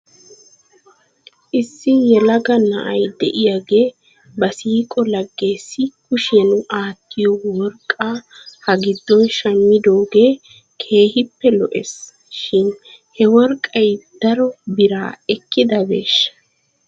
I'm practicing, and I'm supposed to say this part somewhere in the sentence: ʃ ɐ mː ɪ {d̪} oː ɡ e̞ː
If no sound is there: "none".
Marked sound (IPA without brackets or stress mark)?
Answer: d̪